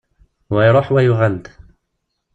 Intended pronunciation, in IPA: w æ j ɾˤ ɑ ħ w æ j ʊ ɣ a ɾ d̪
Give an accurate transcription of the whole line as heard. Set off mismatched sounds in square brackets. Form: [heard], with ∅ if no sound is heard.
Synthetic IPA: w [a] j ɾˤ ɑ ħ w [a] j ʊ ɣ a [l] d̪

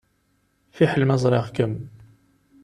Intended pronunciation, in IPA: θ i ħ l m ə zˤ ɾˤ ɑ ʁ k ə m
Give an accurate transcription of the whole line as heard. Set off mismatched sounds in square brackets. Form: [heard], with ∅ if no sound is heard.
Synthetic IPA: [f] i ħ l m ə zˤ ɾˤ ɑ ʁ k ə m

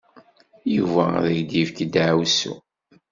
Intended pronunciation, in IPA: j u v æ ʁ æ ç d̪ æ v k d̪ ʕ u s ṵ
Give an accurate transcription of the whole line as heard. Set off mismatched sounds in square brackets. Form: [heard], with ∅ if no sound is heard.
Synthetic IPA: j u v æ [ð] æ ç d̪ [i] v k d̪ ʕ [w] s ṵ

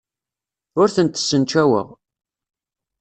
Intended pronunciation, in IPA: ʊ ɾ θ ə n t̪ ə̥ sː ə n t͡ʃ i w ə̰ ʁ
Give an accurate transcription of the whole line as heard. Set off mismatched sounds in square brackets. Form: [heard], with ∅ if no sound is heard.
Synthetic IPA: ʊ ɾ θ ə n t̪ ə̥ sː ə n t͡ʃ [æ] w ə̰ ʁ

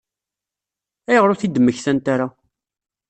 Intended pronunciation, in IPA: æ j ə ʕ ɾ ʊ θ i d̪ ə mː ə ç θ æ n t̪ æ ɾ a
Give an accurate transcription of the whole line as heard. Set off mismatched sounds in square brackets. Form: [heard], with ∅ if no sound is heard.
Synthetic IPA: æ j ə [ʁ] ɾ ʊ θ i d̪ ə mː ə ç θ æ n t̪ [a] ɾ a

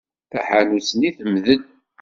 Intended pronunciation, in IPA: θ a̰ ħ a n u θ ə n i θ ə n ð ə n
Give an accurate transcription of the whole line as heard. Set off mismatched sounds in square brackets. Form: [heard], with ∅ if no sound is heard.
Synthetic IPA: θ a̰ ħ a n u [s] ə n i θ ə [m] ð ə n

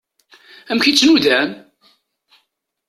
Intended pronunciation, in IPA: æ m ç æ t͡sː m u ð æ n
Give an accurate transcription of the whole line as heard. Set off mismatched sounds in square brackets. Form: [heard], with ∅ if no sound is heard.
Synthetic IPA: æ m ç [i] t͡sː [n] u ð æ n

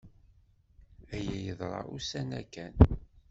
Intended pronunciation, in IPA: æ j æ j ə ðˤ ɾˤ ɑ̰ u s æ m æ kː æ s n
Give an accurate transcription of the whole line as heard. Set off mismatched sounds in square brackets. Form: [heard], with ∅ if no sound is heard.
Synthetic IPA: æ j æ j ə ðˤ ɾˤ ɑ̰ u s æ [n] æ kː æ [∅] n

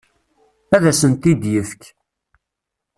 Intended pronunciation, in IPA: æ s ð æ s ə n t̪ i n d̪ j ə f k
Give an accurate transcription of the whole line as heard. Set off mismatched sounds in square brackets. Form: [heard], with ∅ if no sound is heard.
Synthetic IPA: æ [∅] ð æ s ə n t̪ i [∅] d̪ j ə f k

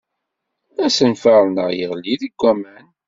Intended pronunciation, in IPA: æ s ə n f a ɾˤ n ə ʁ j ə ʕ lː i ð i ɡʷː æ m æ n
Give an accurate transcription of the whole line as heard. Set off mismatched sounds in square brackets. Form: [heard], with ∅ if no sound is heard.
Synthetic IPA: æ s ə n f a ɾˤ n ə ʁ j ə [ʁ] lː i ð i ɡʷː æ m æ n

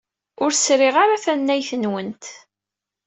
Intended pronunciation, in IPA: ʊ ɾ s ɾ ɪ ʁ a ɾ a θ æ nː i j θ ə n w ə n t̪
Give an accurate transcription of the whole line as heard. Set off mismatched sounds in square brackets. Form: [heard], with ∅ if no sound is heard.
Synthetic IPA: ʊ ɾ s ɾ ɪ ʁ a ɾ a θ æ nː [æ] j θ ə n w ə n t̪

